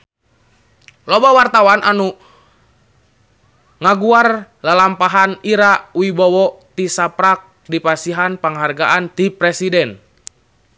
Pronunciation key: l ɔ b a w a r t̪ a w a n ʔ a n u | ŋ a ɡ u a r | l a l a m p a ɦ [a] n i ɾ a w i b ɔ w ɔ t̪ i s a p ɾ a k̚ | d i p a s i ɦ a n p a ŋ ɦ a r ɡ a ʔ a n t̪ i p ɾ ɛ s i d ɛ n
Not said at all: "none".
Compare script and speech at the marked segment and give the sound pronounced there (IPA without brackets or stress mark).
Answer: a